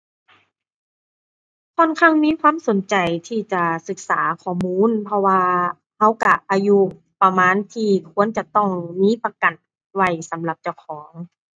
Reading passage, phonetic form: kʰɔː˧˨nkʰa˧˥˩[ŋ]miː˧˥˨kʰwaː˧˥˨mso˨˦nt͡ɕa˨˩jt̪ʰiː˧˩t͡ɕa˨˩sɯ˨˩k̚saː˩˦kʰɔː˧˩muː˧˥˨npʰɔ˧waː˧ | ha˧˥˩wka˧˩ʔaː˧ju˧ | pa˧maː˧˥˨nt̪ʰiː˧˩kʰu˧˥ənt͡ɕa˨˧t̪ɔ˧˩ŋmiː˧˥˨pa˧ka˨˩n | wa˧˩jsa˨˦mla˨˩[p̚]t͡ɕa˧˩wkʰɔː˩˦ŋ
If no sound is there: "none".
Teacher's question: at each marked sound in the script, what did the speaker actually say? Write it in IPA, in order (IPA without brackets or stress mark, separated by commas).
ŋ, p̚